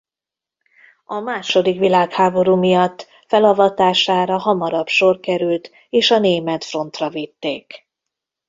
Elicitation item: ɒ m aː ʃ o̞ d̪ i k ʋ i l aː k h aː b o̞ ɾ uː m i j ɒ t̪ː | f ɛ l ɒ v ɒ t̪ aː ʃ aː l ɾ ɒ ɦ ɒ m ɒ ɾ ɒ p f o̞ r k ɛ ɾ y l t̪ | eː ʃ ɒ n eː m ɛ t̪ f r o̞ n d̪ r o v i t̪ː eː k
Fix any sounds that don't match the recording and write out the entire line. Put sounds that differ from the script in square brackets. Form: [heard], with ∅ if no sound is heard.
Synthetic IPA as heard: ɒ m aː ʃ o̞ d̪ i k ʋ i l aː k h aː b o̞ ɾ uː m i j ɒ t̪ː | f ɛ l ɒ v ɒ t̪ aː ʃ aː [∅] ɾ ɒ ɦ ɒ m ɒ ɾ ɒ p [ʃ] o̞ r k ɛ ɾ y l t̪ | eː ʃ ɒ n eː m ɛ t̪ f r o̞ n [t̪] r [ɒ] v i t̪ː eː k